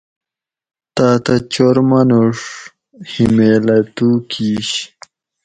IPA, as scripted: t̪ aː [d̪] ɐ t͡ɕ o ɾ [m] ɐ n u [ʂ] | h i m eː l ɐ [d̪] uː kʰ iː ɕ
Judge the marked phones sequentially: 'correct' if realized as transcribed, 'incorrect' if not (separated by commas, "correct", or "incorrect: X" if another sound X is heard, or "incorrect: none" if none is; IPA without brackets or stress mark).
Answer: incorrect: t̪, correct, correct, incorrect: t̪